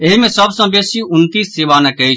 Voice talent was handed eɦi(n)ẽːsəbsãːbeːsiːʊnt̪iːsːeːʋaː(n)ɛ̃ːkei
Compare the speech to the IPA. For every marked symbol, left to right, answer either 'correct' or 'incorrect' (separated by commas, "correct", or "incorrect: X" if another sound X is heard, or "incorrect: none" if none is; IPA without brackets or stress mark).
incorrect: m, correct